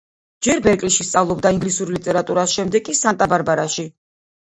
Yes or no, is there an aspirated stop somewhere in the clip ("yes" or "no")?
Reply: no